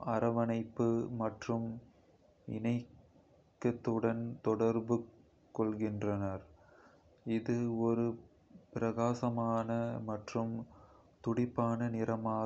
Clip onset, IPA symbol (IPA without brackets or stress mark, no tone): ɐ